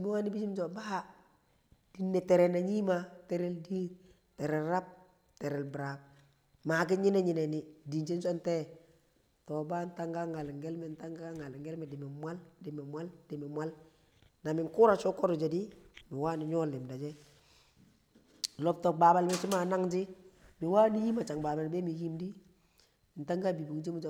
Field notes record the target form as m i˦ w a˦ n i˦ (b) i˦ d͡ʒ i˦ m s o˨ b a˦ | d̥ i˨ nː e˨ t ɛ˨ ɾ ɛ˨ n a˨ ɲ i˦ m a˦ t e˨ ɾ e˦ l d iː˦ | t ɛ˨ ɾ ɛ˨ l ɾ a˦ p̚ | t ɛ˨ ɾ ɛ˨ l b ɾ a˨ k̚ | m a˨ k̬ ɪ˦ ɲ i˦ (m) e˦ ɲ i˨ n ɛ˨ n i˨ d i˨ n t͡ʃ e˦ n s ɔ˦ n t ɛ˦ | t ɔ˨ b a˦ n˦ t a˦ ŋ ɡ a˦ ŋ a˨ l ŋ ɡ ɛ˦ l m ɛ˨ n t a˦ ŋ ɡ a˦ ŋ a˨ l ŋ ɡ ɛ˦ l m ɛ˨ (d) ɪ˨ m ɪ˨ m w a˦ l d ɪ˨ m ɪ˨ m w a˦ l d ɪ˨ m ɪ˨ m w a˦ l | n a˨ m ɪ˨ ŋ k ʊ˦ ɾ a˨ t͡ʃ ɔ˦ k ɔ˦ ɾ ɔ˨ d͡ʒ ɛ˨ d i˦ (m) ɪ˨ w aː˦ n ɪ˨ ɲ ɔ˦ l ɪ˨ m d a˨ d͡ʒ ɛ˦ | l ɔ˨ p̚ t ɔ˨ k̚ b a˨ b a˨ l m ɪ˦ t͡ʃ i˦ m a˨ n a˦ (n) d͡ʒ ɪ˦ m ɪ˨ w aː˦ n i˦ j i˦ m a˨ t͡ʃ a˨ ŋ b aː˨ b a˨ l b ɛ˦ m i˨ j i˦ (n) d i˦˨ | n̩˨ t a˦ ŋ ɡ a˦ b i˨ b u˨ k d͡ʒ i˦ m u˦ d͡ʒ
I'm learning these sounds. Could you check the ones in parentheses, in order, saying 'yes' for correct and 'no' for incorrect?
yes, no, yes, yes, no, no

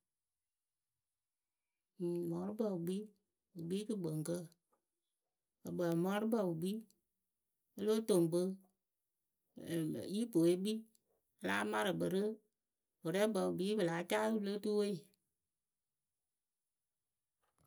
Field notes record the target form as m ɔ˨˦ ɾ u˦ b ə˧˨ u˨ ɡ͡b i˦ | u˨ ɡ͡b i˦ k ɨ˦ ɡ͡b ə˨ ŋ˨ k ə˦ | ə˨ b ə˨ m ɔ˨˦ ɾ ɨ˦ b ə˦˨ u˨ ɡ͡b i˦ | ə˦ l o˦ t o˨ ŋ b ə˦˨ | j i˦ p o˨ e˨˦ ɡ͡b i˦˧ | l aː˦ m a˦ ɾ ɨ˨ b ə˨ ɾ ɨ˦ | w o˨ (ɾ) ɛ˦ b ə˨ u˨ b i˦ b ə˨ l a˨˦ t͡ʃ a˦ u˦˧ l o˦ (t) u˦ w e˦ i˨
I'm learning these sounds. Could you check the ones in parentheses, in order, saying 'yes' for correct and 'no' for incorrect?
yes, yes

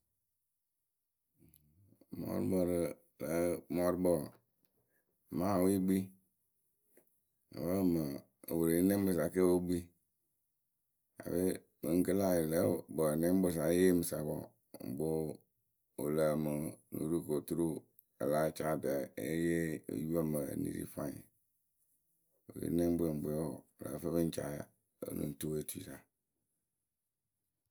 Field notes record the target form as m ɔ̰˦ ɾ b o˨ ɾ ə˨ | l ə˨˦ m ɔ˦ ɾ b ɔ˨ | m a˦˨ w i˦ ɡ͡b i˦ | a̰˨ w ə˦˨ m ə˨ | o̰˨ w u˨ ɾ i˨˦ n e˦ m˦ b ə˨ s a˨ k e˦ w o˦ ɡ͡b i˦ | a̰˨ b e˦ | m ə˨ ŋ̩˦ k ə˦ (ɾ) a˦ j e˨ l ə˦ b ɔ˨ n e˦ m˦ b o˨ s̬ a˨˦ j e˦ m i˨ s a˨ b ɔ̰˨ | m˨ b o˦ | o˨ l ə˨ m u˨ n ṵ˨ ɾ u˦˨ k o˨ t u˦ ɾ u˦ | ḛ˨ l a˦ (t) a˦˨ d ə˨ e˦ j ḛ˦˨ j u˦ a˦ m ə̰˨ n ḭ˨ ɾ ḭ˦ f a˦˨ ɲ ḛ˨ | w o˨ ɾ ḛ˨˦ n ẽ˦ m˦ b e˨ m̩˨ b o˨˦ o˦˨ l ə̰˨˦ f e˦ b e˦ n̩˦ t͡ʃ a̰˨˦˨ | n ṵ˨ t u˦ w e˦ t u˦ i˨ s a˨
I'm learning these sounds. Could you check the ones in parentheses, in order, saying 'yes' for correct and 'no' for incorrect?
no, no

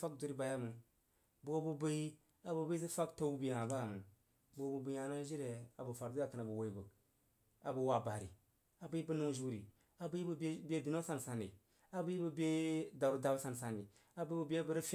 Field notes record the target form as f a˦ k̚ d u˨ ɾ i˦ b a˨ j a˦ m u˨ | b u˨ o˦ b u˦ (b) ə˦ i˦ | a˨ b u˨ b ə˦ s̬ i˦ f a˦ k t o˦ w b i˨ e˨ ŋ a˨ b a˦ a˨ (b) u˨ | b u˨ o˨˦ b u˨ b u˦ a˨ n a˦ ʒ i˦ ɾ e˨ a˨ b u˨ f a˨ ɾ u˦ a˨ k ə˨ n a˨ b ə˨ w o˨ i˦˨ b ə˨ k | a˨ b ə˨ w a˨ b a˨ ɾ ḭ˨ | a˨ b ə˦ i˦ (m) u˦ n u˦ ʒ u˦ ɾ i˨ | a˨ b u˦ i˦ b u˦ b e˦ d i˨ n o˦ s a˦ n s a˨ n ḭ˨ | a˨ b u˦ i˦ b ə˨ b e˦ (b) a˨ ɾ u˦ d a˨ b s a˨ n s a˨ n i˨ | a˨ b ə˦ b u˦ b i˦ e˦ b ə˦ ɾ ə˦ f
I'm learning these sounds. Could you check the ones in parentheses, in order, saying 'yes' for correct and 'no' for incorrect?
yes, no, no, no

